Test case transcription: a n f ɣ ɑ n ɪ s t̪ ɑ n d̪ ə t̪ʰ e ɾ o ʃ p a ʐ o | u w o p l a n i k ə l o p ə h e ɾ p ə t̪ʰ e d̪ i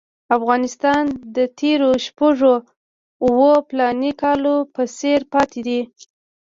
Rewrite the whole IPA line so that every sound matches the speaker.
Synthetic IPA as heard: a f ɣ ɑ n ɪ s t̪ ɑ n d̪ ə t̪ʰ e ɾ o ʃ p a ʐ o | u w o p l ɑ n i k ɑ l o p ə s e ɾ p ɑ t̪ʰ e d̪ i